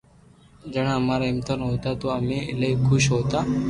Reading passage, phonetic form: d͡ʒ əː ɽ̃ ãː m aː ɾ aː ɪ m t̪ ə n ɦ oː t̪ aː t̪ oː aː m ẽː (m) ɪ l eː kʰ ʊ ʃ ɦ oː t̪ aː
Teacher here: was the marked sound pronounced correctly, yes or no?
no